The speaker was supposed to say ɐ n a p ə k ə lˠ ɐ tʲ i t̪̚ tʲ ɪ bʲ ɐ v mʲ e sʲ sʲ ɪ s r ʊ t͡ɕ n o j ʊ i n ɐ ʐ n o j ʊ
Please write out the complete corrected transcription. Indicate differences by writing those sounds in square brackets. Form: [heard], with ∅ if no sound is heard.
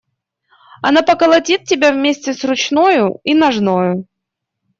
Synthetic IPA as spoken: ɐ n a p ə k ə lˠ ɐ tʲ i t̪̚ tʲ ɪ bʲ [a] v mʲ e sʲ [tʲ] ɪ s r ʊ t͡ɕ n o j ʊ i n ɐ ʐ n o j ʊ